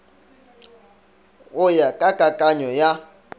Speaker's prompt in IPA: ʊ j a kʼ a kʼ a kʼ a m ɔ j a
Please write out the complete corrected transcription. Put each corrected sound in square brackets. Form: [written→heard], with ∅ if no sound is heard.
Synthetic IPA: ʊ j a kʼ a kʼ a kʼ a [m→ɲ] ɔ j a